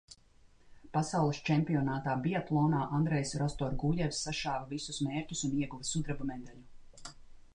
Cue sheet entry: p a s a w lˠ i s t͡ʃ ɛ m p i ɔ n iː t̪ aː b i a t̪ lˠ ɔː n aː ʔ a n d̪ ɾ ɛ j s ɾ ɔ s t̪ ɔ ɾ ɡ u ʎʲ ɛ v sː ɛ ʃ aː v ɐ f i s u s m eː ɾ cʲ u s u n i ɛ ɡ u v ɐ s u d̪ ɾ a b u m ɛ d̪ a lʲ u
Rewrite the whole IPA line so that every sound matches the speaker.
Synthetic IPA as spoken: p a s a w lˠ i s t͡ʃ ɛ m p i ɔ n aː t̪ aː b i a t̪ lˠ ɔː n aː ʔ a n d̪ ɾ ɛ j s ɾ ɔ s t̪ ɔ ɾ ɡ u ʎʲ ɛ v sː a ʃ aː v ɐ v i s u s m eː ɾ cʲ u s u n i ɛ ɡ u v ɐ s u d̪ ɾ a b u m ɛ d̪ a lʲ u